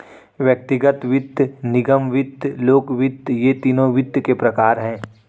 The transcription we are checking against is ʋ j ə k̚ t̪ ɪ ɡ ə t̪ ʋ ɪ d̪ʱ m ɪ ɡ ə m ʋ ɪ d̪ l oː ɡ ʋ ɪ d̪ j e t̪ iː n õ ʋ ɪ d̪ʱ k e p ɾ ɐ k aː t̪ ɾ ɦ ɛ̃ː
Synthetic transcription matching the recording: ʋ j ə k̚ t̪ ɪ ɡ ə t̪ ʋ ɪ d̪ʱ n ɪ ɡ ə m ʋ ɪ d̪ l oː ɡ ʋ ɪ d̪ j e t̪ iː n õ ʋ ɪ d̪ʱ k e p ɾ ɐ k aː ɾ ɦ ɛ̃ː